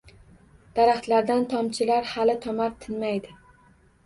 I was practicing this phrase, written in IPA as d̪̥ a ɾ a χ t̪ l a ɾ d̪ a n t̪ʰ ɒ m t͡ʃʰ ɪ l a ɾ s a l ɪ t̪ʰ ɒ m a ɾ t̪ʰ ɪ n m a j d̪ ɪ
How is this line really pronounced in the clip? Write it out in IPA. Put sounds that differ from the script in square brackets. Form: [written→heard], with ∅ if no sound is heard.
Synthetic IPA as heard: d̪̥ a ɾ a χ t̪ l a ɾ d̪ a n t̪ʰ ɒ m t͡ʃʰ ɪ l a ɾ [s→h] a l ɪ t̪ʰ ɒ m a ɾ t̪ʰ ɪ n m a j d̪ ɪ